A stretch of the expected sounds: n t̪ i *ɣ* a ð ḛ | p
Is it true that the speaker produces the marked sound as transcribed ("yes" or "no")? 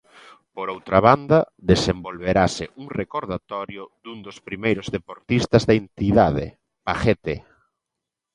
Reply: no